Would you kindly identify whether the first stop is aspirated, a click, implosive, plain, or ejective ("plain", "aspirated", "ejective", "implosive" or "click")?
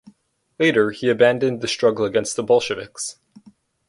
plain